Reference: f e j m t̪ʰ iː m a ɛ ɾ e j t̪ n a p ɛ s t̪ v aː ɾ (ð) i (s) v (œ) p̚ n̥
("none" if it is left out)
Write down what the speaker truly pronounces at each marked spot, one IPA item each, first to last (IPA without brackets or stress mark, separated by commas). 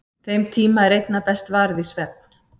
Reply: ð, s, ɛ